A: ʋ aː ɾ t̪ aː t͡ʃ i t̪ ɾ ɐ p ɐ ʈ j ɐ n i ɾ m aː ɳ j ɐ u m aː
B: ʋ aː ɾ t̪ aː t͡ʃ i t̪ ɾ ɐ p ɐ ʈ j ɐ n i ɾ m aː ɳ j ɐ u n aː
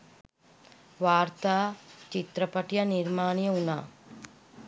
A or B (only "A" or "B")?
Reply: B